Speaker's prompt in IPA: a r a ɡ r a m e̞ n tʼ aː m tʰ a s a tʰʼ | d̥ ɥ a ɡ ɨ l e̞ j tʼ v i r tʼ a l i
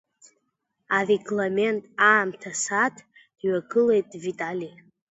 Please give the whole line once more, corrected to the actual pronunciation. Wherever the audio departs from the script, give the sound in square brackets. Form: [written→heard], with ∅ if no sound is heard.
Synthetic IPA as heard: a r [a→e] ɡ [r→l] a m e̞ n tʼ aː m tʰ a s a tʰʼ | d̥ ɥ a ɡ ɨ l e̞ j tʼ v i [r→∅] tʼ a l i

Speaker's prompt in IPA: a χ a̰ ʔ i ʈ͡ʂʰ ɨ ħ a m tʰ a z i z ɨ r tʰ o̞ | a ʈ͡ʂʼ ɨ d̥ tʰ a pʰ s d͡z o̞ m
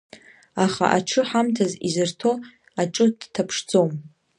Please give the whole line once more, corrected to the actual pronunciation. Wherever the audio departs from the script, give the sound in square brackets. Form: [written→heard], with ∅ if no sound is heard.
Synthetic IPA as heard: a χ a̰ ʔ [i→a] ʈ͡ʂʰ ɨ ħ a m tʰ a z i z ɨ r tʰ o̞ | a ʈ͡ʂʼ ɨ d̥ tʰ a pʰ [s→ʂ] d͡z o̞ m

